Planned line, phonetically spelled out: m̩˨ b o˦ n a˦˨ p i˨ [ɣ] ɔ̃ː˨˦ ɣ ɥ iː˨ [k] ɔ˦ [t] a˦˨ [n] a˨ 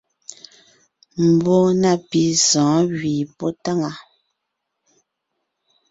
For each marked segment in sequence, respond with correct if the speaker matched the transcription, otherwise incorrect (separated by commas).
incorrect, incorrect, correct, incorrect